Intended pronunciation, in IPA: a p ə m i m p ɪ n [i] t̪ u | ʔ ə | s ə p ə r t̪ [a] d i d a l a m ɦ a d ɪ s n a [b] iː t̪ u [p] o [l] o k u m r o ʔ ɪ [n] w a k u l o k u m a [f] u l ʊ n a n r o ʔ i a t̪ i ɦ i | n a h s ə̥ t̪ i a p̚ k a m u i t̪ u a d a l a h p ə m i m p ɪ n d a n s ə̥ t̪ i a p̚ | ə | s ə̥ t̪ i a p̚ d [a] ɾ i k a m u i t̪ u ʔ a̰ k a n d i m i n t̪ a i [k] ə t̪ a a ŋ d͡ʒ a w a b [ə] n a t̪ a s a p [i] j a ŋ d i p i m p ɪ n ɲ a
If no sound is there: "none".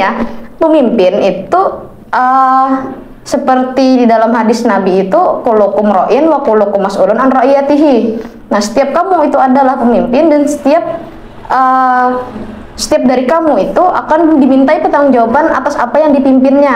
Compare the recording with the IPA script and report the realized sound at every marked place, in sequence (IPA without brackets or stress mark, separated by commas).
i, i, b, k, l, n, s, a, p, a, a